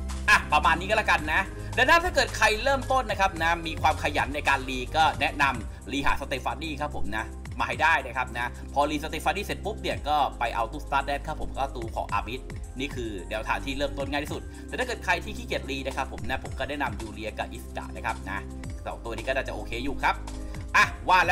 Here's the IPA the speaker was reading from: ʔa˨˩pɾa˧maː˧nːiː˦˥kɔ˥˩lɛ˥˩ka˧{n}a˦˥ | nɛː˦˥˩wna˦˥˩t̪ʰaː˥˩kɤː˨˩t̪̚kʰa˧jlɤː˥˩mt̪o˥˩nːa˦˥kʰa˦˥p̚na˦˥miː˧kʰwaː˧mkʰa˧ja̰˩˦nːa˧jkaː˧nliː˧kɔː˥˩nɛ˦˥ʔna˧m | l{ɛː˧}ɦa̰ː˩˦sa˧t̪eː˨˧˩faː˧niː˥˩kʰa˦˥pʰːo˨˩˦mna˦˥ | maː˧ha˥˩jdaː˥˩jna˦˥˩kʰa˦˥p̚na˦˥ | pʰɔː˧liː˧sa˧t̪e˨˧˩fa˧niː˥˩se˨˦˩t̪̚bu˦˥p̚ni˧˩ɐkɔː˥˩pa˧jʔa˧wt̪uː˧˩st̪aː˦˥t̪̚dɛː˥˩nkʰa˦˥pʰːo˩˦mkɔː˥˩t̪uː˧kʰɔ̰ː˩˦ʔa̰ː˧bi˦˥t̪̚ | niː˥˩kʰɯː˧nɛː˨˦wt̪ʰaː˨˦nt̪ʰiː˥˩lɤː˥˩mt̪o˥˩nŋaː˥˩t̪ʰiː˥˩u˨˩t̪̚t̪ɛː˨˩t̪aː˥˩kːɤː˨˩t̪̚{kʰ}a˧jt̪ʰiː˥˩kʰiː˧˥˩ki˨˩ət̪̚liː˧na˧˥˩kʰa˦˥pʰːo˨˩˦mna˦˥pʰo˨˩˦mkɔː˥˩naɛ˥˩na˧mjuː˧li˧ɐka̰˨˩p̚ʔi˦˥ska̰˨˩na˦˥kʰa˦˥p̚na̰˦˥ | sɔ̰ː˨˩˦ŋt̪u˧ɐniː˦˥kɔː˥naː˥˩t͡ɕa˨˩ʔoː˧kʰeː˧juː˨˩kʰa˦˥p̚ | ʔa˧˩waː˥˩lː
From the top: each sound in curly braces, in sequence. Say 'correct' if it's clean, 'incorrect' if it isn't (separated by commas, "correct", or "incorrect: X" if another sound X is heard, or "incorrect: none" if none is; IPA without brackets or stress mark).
incorrect: nː, incorrect: iː˧, correct